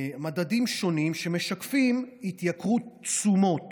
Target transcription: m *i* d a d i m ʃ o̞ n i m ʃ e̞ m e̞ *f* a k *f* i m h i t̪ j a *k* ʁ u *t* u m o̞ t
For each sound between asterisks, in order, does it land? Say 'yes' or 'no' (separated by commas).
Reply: no, no, yes, yes, no